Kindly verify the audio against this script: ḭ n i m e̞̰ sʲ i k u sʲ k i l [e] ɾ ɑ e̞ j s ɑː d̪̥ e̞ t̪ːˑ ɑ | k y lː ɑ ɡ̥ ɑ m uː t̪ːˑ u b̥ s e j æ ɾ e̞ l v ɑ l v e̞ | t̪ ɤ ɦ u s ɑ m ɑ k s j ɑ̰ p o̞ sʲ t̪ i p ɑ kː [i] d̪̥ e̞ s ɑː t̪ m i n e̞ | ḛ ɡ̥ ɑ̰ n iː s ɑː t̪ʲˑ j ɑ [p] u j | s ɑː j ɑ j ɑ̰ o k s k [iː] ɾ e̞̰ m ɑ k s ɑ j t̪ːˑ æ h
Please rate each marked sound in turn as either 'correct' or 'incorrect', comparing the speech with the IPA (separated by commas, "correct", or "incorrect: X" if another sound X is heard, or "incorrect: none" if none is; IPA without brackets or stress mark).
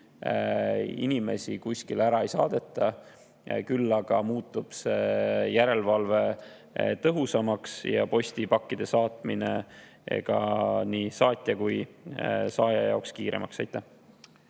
incorrect: æ, correct, incorrect: k, correct